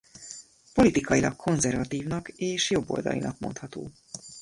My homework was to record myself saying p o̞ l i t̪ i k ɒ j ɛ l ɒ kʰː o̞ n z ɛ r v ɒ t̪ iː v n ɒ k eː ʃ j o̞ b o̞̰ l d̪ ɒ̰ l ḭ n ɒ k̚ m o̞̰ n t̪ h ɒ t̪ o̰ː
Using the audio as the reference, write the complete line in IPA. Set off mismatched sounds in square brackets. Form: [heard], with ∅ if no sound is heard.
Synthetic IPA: p o̞ l i t̪ i k ɒ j [i] l ɒ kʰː o̞ n z ɛ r v ɒ t̪ iː v n ɒ k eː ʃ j o̞ [bː] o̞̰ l d̪ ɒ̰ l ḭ n ɒ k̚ m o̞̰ n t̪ h ɒ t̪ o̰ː